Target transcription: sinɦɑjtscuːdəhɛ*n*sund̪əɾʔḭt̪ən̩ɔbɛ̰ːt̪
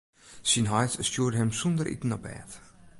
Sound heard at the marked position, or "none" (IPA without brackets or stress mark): m